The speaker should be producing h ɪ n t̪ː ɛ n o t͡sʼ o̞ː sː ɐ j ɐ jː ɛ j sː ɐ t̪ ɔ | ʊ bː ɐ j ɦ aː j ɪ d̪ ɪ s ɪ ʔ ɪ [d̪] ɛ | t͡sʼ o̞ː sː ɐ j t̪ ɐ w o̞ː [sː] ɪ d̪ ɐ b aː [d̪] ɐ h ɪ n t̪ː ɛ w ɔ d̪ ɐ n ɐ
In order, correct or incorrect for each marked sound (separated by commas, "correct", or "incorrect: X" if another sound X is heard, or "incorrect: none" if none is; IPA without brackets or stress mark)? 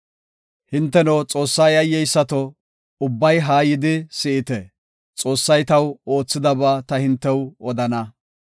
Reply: incorrect: t̪, incorrect: t͡sː, incorrect: t̪